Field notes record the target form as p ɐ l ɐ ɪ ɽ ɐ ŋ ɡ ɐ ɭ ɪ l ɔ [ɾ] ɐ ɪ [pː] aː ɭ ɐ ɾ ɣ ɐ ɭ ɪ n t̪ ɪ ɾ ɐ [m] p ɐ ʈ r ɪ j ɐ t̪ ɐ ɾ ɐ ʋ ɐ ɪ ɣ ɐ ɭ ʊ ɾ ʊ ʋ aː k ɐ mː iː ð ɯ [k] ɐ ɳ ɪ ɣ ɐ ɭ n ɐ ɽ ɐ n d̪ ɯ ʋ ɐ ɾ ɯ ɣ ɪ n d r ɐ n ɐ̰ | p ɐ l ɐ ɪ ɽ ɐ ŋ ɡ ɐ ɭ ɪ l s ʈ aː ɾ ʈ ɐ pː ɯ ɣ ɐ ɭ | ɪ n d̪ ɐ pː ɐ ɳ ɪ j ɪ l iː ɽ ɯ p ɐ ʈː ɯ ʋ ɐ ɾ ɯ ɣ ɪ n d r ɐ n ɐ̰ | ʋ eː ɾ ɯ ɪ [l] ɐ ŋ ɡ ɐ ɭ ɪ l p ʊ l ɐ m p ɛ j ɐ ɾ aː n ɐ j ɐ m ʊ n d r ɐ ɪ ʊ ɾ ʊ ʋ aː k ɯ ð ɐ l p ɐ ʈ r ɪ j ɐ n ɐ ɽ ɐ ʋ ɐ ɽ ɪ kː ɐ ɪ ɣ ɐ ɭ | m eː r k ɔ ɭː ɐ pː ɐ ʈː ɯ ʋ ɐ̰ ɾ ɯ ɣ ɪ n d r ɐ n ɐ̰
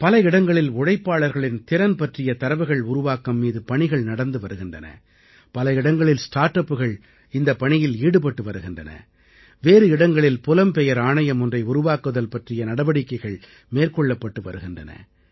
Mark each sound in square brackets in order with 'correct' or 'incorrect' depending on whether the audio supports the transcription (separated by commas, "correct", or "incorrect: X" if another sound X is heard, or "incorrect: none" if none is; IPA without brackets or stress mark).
incorrect: ɽ, correct, incorrect: n, incorrect: p, incorrect: ɽ